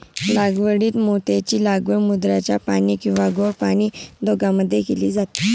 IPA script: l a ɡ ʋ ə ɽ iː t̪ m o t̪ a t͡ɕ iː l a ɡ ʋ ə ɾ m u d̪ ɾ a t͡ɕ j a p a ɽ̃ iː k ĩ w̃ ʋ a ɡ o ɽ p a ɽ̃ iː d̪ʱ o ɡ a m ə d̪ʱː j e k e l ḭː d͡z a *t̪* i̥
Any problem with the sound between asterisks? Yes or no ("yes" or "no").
no